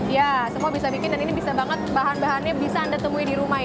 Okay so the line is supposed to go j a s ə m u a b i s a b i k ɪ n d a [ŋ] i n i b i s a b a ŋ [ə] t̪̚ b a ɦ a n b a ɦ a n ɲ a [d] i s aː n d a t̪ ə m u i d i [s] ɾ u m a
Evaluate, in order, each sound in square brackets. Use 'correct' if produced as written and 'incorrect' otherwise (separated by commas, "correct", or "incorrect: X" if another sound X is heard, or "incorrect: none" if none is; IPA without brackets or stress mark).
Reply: incorrect: n, correct, incorrect: b, incorrect: none